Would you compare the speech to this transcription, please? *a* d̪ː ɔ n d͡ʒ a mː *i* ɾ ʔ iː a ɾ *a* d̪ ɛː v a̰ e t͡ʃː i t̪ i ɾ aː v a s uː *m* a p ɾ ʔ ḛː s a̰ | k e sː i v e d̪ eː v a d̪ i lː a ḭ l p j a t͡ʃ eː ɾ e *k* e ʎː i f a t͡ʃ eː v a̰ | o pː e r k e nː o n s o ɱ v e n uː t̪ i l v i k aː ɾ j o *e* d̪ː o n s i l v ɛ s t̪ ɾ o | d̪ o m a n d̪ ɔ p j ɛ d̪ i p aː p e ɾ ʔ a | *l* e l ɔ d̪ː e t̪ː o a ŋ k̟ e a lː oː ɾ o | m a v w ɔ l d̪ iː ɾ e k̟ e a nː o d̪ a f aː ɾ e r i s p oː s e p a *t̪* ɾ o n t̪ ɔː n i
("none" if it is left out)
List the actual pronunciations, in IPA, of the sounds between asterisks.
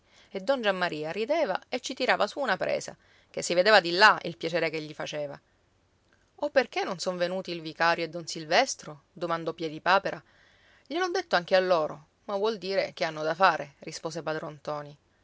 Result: e, a, i, n, k, e, ʎ, d̪

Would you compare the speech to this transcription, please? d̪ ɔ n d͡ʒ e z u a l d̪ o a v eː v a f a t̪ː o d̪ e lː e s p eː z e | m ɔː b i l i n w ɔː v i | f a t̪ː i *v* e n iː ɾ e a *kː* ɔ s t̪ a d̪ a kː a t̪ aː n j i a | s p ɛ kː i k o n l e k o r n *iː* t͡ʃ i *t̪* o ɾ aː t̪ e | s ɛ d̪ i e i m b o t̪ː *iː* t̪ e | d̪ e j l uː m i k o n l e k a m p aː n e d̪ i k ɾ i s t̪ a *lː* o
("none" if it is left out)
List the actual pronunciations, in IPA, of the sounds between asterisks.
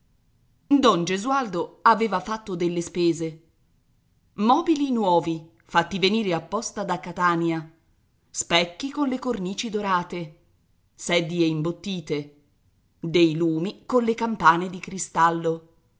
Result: v, pː, iː, d̪, iː, lː

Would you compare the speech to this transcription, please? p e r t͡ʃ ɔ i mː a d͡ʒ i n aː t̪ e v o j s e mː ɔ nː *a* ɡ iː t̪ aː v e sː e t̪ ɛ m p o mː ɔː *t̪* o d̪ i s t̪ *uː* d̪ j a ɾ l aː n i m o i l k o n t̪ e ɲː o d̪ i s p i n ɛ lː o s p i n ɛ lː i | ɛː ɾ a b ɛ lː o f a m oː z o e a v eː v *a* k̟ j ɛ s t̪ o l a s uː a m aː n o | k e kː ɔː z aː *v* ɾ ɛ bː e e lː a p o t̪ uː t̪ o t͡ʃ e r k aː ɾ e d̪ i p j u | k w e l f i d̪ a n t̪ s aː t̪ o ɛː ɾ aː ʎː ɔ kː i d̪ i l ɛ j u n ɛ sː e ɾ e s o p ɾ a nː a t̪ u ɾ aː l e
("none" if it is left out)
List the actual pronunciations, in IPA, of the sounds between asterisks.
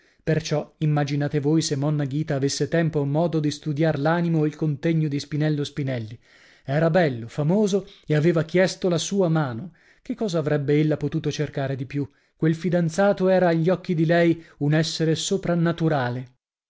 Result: a, d̪, u, a, v

